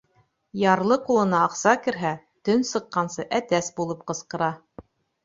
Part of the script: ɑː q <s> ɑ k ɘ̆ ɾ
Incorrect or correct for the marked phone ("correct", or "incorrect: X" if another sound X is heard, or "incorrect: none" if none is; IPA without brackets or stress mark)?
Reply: correct